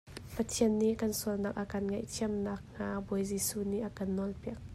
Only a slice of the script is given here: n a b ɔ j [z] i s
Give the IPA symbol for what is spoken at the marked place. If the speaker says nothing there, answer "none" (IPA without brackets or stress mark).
z